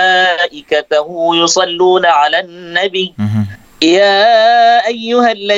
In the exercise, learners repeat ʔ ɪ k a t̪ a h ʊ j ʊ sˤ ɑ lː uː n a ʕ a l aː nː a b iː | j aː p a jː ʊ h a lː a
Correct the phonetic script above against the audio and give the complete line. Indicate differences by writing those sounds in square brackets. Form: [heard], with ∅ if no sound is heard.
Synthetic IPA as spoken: ʔ ɪ k a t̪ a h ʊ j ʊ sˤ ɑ lː uː n a ʕ a l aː nː a b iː | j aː [ʔ] a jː ʊ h a lː a